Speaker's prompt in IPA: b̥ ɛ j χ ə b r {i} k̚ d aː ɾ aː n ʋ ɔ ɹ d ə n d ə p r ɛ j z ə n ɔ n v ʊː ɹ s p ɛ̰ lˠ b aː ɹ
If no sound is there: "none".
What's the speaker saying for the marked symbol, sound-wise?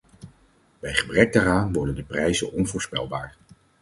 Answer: ɛ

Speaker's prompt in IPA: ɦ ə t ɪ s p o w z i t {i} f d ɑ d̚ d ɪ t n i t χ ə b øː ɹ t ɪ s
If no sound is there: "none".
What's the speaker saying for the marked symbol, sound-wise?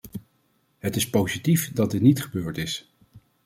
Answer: i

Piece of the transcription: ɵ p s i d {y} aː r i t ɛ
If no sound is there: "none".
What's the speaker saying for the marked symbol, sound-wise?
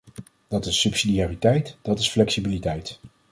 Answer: i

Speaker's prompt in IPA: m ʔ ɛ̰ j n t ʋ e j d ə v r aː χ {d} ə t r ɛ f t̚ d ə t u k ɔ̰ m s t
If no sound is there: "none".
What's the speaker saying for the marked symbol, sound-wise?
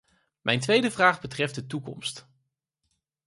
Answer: b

